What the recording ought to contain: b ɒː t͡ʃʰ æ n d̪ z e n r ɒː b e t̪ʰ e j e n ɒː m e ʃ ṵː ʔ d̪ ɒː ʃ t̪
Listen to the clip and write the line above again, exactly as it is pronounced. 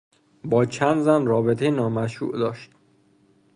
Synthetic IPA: b ɒː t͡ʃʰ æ n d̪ z æ n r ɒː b e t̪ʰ e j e n ɒː m æ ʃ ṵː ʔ d̪ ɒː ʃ t̪